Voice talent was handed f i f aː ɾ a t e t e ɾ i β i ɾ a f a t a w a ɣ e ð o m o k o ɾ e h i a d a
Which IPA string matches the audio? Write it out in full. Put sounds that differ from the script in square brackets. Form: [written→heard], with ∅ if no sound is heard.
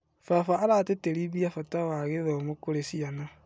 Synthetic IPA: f [i→a] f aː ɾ a t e t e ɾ i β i [ɾ→∅] a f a t a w a ɣ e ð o m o k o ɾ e [h→s] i a [d→n] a